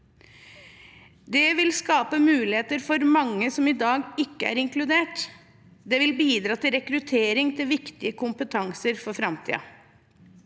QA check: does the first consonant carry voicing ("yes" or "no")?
yes